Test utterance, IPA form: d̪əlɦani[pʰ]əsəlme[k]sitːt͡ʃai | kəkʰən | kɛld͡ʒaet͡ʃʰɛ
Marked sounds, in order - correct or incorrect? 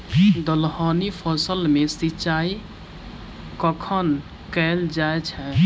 correct, incorrect: none

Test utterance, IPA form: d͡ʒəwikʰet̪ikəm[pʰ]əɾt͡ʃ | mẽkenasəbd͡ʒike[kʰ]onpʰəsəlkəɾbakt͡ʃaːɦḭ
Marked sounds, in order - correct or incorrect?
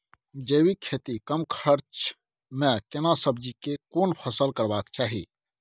incorrect: kʰ, incorrect: k

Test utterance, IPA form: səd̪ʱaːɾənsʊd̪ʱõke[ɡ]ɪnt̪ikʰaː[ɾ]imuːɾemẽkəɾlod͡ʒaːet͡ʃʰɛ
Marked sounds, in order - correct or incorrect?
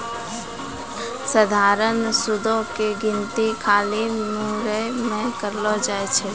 correct, incorrect: l

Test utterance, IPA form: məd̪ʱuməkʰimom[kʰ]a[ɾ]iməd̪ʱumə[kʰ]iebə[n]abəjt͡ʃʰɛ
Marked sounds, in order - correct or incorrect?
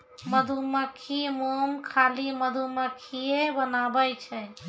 correct, incorrect: l, correct, correct

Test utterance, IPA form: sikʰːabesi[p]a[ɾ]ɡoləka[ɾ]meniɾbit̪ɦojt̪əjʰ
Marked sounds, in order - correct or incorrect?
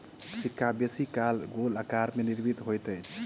incorrect: k, incorrect: l, correct

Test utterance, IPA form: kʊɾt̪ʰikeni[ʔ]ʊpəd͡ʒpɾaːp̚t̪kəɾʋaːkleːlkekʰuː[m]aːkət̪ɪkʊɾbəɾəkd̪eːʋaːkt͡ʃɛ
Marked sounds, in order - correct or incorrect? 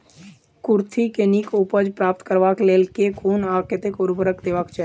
incorrect: k, incorrect: n

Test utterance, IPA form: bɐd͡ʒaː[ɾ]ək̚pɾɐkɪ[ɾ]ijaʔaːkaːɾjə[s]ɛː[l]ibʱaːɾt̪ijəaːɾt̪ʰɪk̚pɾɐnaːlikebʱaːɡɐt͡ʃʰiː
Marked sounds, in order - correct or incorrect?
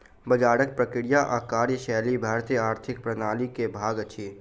incorrect: ɽ, incorrect: ɽ, incorrect: ʃ, correct

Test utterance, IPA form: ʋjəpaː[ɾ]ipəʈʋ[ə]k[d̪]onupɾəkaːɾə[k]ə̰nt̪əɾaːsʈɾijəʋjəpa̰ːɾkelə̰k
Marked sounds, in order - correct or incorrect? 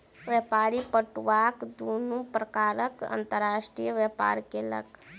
correct, incorrect: a, correct, correct

